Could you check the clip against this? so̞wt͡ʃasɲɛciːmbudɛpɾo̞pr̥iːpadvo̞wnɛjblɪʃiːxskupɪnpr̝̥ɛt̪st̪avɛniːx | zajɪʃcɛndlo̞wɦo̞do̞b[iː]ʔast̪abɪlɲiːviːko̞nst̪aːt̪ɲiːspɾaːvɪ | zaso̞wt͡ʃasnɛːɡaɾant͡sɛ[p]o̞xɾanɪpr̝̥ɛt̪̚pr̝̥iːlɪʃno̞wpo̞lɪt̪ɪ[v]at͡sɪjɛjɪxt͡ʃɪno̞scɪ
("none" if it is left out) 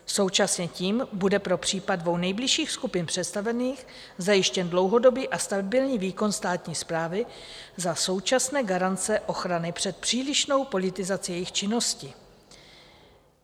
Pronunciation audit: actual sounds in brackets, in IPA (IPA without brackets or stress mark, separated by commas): iː, ʔ, z